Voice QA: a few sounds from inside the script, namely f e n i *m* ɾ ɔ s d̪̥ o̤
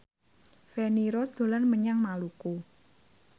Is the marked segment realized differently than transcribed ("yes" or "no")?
yes